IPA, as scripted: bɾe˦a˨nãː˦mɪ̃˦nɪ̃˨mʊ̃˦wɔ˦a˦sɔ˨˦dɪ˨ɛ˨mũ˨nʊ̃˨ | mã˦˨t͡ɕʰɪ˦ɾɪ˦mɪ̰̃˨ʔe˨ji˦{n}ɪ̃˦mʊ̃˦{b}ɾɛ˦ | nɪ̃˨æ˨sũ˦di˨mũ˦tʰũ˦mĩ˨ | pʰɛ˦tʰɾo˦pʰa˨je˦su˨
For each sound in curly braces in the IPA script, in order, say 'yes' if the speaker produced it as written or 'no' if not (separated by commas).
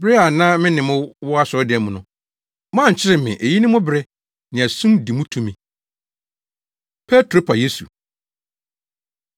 yes, yes